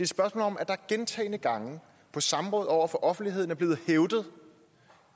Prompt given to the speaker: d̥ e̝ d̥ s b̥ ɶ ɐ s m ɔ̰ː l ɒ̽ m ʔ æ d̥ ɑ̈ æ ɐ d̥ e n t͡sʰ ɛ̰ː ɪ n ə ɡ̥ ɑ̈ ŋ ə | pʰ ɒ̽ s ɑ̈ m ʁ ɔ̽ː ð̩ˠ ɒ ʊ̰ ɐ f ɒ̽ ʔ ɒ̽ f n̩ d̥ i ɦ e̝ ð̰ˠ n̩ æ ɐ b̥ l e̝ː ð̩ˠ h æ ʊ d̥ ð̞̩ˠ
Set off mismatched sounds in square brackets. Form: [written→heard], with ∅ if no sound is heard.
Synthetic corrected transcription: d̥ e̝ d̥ s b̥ ɶ ɐ s m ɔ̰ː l ɒ̽ m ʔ æ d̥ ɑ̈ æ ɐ [d̥→ɡ̥] e n t͡sʰ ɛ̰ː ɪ n ə ɡ̥ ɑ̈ ŋ ə | pʰ ɒ̽ s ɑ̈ m ʁ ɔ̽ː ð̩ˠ ɒ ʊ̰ ɐ f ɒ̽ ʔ ɒ̽ f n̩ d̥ i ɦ e̝ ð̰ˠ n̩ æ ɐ b̥ l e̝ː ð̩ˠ h [æ→e] ʊ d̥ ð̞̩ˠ